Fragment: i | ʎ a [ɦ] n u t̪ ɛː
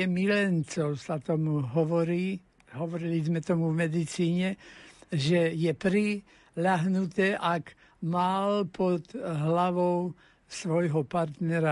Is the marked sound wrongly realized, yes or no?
no